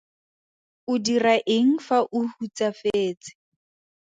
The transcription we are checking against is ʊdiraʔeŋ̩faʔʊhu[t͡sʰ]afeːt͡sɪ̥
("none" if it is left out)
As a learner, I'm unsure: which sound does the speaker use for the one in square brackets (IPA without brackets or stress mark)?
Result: t͡s